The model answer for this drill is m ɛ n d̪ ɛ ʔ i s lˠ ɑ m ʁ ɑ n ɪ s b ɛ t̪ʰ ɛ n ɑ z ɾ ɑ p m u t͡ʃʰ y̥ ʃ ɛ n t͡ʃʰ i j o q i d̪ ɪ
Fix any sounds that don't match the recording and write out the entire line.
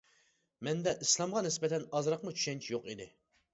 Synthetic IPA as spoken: m ɛ n d̪ ɛ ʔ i s lˠ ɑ m ʁ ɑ n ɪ s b ɛ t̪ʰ ɛ n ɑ z ɾ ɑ q m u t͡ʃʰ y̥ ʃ ɛ n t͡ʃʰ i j o q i d̪ ɪ